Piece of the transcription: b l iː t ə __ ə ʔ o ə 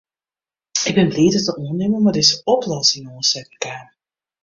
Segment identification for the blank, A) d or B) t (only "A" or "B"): B